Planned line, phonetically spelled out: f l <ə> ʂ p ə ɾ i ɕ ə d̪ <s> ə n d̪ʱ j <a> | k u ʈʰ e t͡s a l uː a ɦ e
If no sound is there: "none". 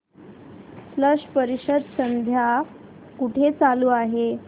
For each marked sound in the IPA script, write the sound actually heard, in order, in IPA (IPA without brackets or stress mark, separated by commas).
ə, s, a